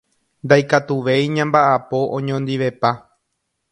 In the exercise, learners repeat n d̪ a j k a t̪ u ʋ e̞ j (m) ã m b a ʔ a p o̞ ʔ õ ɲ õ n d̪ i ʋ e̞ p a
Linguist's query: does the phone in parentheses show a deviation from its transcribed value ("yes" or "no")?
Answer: yes